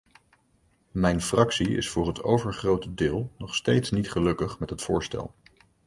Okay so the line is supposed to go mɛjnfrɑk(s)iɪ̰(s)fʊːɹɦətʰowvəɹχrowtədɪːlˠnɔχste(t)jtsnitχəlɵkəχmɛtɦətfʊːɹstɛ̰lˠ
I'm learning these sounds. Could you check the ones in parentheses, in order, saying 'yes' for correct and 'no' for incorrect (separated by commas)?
yes, yes, no